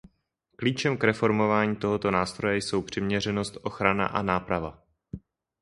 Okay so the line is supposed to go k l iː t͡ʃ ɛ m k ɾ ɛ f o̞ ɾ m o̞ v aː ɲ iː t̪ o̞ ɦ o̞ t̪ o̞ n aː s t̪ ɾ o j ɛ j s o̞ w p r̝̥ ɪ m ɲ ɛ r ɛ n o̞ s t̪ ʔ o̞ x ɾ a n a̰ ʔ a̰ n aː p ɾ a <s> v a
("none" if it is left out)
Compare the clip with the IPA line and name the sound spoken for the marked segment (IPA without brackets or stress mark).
none